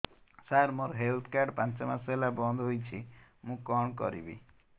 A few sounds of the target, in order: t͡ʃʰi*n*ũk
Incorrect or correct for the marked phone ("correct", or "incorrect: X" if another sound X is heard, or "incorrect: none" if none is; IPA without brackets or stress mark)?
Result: incorrect: m